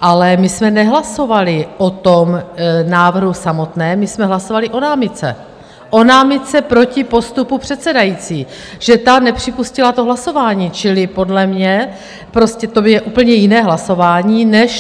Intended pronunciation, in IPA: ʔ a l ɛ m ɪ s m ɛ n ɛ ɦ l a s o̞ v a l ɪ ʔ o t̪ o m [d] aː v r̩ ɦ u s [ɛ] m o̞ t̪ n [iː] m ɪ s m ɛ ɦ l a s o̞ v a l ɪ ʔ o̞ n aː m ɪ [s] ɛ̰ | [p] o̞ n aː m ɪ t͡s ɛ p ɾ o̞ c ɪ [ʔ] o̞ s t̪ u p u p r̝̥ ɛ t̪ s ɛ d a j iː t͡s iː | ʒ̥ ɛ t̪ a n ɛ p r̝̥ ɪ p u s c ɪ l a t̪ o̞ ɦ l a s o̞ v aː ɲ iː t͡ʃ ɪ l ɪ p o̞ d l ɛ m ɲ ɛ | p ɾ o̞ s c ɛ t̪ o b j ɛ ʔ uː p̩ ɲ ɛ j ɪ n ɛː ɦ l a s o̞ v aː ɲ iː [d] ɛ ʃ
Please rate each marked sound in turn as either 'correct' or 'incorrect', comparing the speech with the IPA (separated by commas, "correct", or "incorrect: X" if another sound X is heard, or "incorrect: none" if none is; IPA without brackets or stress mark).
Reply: incorrect: n, incorrect: a, incorrect: ɛː, incorrect: t͡s, incorrect: ʔ, incorrect: p, incorrect: n